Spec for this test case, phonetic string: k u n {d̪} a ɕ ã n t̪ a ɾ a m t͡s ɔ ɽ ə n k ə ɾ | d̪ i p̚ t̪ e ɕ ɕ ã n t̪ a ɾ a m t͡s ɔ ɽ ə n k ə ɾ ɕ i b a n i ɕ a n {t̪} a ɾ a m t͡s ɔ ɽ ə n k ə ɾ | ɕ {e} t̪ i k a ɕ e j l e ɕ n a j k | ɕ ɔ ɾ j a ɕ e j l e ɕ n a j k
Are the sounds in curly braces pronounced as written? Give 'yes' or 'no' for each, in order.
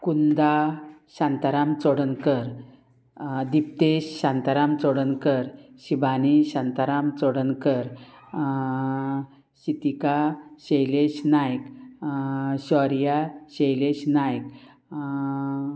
yes, yes, no

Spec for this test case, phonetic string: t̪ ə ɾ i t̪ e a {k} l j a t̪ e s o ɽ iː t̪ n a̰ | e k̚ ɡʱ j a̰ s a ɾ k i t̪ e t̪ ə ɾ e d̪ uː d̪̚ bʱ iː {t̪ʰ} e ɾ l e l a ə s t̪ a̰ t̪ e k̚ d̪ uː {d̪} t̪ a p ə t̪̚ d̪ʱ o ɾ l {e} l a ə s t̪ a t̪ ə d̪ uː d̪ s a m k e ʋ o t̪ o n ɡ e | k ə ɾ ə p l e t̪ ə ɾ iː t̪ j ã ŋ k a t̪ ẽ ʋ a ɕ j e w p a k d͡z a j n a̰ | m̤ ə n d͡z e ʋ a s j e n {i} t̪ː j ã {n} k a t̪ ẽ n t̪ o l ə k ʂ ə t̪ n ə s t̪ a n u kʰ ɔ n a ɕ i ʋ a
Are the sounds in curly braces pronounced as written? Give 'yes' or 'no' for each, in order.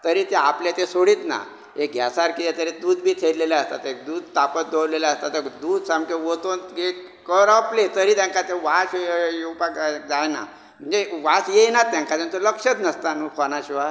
no, yes, yes, yes, no, no

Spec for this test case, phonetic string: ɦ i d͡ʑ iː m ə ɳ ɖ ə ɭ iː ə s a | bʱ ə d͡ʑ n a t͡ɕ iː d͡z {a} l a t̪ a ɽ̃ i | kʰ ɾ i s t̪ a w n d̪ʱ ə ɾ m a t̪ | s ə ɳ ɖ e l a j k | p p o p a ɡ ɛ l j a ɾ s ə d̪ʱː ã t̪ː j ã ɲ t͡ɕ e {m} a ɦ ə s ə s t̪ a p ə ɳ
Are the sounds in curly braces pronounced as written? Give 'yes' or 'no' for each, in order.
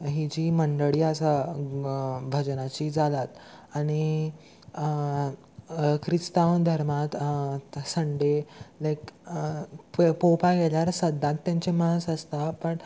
yes, yes

